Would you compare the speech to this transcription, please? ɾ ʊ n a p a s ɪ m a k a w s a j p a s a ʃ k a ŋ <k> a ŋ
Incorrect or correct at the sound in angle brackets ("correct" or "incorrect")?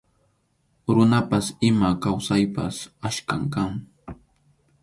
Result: correct